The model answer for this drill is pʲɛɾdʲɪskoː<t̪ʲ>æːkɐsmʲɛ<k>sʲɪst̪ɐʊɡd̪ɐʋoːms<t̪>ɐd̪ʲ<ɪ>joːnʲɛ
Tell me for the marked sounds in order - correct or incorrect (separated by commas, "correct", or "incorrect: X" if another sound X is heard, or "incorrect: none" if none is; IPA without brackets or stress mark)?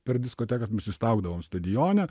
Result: correct, incorrect: none, correct, correct